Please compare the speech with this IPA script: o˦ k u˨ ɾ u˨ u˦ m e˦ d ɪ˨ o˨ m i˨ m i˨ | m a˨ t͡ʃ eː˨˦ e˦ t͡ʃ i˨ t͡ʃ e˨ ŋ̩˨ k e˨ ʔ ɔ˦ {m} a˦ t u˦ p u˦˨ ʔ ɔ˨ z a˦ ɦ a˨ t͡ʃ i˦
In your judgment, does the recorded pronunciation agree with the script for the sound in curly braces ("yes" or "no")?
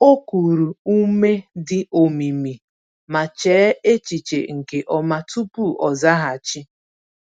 yes